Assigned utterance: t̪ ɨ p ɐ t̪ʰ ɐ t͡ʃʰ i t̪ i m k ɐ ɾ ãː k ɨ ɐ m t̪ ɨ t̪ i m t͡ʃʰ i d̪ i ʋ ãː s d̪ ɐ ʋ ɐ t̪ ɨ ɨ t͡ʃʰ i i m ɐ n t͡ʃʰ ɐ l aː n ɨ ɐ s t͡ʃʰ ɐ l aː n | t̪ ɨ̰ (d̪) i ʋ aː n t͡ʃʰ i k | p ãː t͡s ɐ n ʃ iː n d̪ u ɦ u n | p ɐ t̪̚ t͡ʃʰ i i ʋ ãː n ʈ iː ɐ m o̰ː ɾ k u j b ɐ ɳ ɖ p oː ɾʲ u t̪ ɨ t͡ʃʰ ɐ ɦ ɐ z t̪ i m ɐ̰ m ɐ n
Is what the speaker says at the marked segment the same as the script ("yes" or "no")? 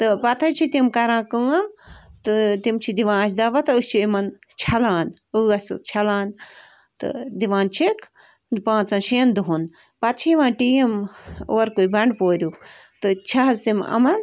yes